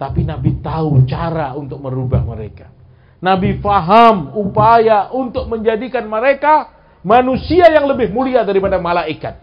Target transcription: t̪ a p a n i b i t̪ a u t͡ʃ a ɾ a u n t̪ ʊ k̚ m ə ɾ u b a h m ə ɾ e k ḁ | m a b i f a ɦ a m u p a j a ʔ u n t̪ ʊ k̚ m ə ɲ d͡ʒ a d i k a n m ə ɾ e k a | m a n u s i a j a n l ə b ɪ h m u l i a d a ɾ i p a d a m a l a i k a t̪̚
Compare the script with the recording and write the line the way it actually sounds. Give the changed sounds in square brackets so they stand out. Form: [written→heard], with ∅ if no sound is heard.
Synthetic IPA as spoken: t̪ a p [a→i] n [i→a] b i t̪ a u t͡ʃ a ɾ a u n t̪ ʊ k̚ m ə ɾ u b a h m ə ɾ e k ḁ | [m→n] a b i f a ɦ a m u p a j a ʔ u n t̪ ʊ k̚ m ə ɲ d͡ʒ a d i k a n m ə ɾ e k a | m a n u s i a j a [n→ŋ] l ə b ɪ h m u l i a d a ɾ i p a d a m a l a i k a t̪̚